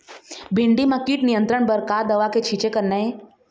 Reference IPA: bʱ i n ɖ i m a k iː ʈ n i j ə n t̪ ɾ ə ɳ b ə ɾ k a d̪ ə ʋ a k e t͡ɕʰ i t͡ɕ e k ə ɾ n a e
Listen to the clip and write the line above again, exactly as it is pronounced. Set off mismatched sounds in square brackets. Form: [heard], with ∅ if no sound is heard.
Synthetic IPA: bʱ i [ɳ] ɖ i m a k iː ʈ n i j ə n t̪ ɾ ə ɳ b ə ɾ k a d̪ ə ʋ a k e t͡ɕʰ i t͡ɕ e k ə ɾ n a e